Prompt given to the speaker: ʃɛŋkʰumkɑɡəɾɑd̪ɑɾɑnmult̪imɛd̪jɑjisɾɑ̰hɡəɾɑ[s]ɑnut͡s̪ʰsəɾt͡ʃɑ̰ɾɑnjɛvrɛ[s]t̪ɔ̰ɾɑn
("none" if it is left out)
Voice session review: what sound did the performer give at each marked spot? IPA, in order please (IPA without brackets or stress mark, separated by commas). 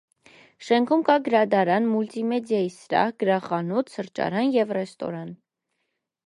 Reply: χ, s